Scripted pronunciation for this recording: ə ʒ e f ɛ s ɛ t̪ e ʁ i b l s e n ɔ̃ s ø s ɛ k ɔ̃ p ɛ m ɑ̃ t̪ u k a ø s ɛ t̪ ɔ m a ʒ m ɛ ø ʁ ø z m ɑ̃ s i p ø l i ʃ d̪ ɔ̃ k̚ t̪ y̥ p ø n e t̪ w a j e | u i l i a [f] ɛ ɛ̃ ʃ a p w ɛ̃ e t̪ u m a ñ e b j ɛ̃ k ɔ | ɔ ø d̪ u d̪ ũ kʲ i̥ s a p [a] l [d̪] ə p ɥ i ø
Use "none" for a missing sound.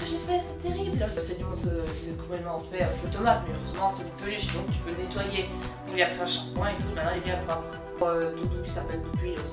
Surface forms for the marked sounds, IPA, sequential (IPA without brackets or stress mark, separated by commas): f, ɛ, d̪